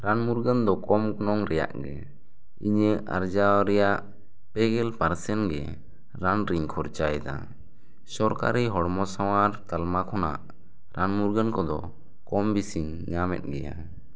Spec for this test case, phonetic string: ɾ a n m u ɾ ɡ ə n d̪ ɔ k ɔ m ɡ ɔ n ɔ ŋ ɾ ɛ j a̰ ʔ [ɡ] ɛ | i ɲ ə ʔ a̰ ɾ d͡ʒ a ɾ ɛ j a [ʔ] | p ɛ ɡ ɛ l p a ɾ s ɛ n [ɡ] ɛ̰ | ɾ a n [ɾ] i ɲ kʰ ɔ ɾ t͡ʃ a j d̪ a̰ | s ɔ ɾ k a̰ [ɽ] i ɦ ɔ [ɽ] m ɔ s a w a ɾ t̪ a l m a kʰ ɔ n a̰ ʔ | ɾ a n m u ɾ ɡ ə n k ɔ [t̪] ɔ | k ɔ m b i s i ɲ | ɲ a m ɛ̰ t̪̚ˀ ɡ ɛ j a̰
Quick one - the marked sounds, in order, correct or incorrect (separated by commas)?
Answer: correct, correct, correct, correct, incorrect, correct, incorrect